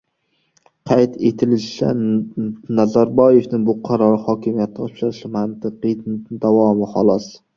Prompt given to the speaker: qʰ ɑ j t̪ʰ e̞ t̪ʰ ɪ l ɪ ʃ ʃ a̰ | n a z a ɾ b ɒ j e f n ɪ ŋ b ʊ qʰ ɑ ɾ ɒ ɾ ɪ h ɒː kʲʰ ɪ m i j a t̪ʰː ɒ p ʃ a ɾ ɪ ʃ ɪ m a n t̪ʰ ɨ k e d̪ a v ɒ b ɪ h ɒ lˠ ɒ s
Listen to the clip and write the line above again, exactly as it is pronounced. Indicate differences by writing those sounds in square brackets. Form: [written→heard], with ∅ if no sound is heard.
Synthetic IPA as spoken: qʰ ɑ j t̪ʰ e̞ t̪ʰ ɪ l ɪ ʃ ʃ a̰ | n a z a ɾ b ɒ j e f n ɪ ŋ b ʊ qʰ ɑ ɾ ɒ ɾ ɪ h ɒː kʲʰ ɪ m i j a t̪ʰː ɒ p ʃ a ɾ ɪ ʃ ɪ m a n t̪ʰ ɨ [k→q] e d̪ a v ɒ [b→m] ɪ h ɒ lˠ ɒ s